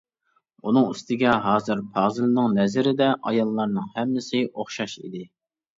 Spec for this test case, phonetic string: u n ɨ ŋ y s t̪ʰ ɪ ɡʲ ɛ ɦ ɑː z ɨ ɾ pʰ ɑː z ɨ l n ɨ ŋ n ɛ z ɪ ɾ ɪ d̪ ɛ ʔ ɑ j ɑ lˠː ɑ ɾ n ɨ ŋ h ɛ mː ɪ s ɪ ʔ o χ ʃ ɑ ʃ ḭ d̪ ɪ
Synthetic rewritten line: u n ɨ ŋ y s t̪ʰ ɪ ɡʲ ɛ ɦ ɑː z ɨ ɾ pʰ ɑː z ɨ l n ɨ ŋ n ɛ z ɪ ɾ ɪ d̪ ɛ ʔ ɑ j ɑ lˠː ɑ ɾ n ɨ ŋ h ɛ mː ɪ s ɪ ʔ o χ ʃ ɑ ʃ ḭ d̪ ɪ